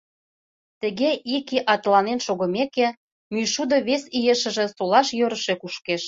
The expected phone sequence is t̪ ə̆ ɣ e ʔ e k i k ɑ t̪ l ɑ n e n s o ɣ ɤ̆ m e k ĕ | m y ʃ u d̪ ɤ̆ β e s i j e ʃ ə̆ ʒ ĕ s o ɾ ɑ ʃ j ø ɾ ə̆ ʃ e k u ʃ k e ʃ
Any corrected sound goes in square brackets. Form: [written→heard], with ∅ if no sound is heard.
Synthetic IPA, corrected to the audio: t̪ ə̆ ɣ e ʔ [e→i] k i [k→ʔ] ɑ t̪ l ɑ n e n [s→ʃ] o ɣ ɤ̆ m e k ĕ | m y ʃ u d̪ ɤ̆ β e s i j e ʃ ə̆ ʒ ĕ s o [ɾ→l] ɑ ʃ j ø ɾ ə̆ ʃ e k u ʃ k e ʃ